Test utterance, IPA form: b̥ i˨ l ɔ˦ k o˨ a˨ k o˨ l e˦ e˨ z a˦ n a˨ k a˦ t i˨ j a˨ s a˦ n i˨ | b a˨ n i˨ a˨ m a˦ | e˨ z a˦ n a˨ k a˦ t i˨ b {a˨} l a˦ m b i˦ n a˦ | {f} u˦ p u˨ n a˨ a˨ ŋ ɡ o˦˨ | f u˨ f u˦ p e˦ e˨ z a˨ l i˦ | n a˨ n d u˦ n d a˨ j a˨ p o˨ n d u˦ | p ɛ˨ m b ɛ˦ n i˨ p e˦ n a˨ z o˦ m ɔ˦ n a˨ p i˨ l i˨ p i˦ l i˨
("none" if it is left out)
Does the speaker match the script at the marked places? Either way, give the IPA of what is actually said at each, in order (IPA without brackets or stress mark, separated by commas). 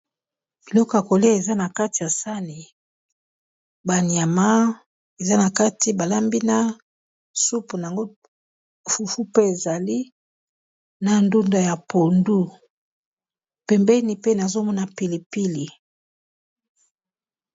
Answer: a˨, s